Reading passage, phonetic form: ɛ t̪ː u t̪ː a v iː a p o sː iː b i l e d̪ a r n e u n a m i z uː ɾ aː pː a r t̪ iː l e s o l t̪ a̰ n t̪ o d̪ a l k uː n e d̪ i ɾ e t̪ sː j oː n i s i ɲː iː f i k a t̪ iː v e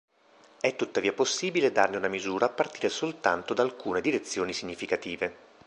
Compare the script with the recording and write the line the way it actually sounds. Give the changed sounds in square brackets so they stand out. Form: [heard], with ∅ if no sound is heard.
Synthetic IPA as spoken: ɛ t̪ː u t̪ː a v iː a p o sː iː b i l e d̪ a r n e u n a m i z uː ɾ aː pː a r t̪ iː [ɾ] e s o l t̪ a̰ n t̪ o d̪ a l k uː n e d̪ i ɾ e t̪ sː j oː n i s i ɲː [i] f i k a t̪ iː v e